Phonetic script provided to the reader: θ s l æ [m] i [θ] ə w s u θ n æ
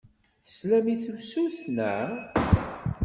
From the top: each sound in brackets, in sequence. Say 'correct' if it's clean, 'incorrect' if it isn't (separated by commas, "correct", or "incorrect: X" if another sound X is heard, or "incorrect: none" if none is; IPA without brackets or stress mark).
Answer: correct, correct